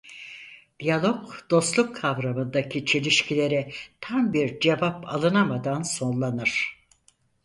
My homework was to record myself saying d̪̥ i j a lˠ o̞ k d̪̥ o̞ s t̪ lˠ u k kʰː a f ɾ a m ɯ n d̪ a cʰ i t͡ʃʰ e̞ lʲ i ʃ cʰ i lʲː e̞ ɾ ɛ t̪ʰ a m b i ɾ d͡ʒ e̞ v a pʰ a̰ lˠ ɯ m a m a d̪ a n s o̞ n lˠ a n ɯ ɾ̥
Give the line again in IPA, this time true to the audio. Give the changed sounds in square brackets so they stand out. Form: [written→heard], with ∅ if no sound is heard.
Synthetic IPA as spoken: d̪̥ i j a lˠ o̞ k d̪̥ o̞ s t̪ lˠ u k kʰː a [f→v] ɾ a m ɯ n d̪ a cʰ i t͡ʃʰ e̞ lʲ i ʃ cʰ i [lʲː→lʲ] e̞ ɾ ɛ t̪ʰ a m b i ɾ d͡ʒ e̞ v a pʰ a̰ lˠ ɯ [m→n] a m a d̪ a n s o̞ n lˠ a n ɯ ɾ̥